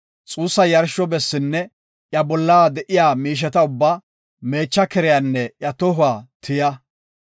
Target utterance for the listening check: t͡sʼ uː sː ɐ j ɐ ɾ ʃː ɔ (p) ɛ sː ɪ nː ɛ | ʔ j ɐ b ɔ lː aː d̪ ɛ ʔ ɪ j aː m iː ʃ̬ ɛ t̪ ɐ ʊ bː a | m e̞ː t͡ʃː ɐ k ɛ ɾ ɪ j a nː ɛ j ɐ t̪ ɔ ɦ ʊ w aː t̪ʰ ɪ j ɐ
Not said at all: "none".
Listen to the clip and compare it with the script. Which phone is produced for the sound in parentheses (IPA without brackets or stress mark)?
b